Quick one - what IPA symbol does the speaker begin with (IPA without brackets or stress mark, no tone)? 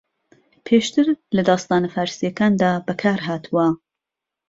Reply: pʰ